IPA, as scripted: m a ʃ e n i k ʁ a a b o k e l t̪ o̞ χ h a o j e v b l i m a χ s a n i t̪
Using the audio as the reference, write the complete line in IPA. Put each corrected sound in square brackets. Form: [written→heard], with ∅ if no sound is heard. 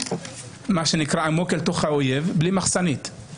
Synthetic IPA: m a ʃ e n i k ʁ a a [b→m] o k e l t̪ o̞ χ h a o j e v b l i m a χ s a n i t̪